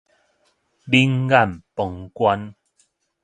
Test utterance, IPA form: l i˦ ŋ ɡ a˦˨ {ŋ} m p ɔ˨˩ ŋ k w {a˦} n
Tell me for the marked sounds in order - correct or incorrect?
incorrect: none, correct

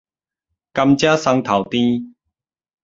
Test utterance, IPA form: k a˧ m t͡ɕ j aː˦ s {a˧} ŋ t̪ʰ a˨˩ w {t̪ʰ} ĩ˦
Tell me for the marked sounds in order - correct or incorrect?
correct, incorrect: t̪

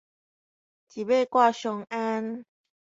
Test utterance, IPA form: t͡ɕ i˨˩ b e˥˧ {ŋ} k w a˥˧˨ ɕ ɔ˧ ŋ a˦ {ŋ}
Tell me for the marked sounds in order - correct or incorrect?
incorrect: none, incorrect: n

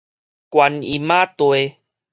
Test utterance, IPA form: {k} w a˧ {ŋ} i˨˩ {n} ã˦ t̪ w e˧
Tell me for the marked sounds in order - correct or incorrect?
correct, incorrect: n, incorrect: m

